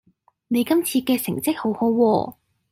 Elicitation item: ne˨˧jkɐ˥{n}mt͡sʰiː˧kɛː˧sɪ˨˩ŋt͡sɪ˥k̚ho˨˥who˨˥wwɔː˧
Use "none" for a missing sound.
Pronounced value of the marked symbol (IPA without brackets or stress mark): none